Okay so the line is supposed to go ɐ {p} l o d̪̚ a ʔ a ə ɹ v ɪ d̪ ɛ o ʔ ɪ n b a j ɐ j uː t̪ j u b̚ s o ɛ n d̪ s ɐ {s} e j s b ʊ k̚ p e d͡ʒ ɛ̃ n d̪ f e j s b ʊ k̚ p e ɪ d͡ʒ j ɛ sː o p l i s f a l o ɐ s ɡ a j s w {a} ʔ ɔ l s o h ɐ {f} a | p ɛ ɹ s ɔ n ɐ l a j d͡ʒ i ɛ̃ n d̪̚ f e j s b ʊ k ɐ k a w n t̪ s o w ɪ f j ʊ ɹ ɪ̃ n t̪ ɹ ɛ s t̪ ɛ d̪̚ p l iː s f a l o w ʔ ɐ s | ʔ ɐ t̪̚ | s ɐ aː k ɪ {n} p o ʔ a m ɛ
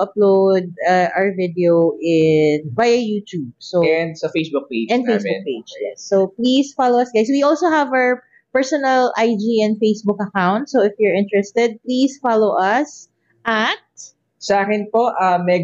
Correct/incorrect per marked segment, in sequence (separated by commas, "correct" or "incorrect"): correct, incorrect, incorrect, incorrect, correct